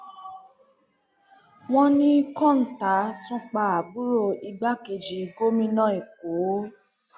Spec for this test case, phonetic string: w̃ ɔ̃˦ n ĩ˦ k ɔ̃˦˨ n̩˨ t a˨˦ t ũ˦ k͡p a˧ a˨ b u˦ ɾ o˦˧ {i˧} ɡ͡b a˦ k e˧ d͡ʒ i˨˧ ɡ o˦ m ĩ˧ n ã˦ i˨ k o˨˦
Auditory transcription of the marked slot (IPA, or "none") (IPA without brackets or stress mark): i˧